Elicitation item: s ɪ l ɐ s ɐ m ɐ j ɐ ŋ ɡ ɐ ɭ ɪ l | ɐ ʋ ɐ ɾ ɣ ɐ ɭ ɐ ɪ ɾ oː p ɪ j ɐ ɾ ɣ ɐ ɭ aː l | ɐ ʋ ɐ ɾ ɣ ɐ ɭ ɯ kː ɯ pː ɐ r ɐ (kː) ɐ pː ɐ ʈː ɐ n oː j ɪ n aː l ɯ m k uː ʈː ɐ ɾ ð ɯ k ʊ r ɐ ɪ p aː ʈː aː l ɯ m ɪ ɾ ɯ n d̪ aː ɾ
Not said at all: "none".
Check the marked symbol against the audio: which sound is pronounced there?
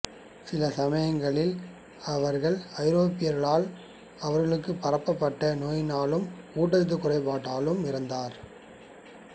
pː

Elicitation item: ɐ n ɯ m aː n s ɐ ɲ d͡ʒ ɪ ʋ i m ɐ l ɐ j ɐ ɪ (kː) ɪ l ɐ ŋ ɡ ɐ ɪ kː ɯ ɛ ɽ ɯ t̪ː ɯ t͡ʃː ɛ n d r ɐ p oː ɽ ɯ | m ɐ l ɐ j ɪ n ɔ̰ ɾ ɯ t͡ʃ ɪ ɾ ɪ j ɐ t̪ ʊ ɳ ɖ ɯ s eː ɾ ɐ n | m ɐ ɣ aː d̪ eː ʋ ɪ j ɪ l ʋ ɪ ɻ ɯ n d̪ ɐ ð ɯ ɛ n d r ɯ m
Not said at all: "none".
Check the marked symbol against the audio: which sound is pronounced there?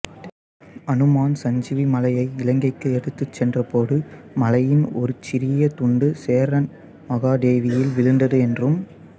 none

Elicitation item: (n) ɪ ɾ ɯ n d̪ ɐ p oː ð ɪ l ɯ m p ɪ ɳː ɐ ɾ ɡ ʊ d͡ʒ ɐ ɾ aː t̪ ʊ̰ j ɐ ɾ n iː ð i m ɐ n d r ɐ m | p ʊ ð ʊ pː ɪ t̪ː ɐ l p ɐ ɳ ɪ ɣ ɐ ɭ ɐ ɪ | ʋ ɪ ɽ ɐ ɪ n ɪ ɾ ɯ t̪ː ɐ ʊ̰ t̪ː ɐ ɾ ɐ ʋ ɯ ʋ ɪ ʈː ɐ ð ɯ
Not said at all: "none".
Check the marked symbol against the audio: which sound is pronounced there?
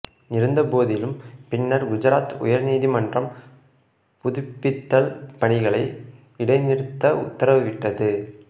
n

